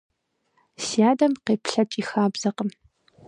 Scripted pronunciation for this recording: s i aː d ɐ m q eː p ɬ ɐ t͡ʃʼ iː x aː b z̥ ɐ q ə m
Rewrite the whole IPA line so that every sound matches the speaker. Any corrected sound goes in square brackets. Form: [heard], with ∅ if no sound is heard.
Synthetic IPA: s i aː d ɐ m q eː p ɬ ɐ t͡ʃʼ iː x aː b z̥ ɐ q ə m